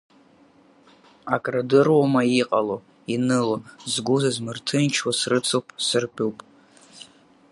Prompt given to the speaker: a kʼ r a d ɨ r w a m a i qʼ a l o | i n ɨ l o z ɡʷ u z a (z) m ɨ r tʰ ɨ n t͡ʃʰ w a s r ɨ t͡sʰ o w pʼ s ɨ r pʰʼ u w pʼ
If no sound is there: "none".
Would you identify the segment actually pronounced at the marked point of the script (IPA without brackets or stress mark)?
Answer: z